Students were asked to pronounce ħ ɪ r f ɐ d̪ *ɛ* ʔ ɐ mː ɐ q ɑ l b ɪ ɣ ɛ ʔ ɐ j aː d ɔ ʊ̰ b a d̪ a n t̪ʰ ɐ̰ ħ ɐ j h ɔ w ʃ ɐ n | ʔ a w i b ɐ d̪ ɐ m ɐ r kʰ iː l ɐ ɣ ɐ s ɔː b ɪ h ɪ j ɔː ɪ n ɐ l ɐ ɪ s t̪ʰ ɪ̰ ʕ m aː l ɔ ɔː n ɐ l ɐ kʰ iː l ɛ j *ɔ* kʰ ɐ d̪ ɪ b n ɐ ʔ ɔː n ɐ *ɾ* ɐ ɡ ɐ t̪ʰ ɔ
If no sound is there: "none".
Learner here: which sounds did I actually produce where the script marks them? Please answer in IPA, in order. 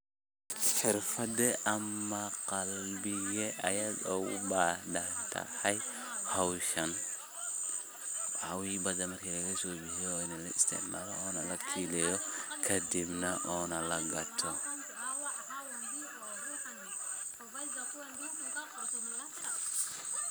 ɛ, ɔ, l

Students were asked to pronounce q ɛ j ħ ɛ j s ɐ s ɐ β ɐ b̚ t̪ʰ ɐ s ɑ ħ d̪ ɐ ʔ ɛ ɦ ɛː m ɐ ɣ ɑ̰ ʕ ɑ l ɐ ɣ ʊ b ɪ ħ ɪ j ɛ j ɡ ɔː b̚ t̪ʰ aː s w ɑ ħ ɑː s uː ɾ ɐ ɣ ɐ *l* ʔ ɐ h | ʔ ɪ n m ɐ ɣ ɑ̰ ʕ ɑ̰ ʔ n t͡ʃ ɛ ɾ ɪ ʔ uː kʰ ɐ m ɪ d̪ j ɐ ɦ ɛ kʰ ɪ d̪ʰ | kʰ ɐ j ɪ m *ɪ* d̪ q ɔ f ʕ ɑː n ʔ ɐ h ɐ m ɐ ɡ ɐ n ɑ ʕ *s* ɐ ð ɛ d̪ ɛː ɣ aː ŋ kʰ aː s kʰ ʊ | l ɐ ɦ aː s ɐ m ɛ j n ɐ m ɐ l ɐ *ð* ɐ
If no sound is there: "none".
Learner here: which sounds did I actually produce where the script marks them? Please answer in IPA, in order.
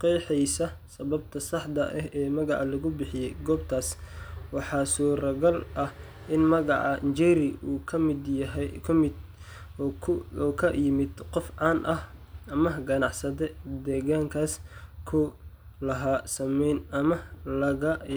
l, ɪ, s, ɣ

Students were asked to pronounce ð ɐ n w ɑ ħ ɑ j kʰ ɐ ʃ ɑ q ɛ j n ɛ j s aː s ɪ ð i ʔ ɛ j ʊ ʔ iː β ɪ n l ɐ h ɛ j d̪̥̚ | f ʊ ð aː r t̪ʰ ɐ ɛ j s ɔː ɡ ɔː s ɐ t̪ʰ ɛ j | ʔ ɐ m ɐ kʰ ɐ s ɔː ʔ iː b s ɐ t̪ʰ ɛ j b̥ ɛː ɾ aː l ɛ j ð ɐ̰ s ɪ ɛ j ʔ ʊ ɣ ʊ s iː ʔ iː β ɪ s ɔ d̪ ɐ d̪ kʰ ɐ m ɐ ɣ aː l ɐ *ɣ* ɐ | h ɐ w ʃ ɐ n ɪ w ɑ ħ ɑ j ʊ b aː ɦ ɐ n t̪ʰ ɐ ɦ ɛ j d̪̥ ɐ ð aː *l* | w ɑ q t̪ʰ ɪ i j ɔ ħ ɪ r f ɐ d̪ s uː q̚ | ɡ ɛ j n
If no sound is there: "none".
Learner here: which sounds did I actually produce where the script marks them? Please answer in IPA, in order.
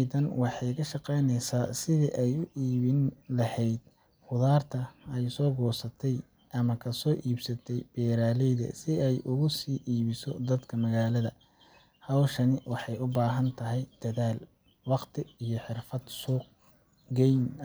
ð, l

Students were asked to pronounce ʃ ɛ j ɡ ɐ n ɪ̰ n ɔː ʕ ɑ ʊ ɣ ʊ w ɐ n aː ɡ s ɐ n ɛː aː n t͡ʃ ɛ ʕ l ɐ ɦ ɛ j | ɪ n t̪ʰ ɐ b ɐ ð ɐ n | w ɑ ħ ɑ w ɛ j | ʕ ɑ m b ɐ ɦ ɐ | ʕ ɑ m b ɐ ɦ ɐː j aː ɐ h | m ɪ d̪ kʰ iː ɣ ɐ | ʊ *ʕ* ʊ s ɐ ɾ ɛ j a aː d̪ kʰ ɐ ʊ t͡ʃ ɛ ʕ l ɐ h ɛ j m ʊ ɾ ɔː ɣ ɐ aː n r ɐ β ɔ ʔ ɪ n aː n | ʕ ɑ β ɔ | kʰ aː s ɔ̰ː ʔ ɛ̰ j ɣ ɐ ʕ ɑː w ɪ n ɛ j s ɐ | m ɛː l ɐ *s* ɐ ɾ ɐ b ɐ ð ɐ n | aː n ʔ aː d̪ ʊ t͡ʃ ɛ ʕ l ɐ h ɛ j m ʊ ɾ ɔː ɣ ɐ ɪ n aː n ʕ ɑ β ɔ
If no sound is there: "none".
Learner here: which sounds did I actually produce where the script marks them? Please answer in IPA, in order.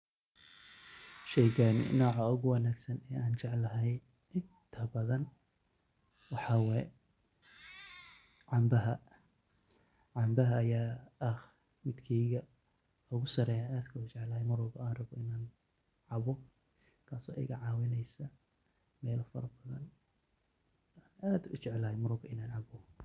ɣ, f

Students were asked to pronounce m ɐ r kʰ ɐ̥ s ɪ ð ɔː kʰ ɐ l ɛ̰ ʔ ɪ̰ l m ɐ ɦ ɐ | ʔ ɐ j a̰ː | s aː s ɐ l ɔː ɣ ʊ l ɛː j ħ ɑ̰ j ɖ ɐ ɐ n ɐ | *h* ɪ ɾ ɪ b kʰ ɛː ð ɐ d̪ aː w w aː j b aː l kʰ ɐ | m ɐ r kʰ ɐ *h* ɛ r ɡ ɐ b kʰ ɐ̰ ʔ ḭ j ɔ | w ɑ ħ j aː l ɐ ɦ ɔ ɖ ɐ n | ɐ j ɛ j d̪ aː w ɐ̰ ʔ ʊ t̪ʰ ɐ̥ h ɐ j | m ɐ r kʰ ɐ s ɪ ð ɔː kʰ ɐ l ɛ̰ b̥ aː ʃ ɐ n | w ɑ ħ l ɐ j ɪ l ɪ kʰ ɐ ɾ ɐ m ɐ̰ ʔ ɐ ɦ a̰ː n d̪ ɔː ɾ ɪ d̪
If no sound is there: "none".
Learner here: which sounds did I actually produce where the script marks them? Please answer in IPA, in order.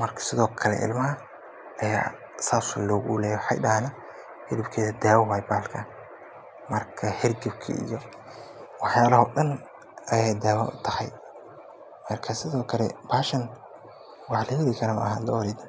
h, h

